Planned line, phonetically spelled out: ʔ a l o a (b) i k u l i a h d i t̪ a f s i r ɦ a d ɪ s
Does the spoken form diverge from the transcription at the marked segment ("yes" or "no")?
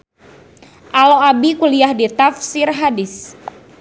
no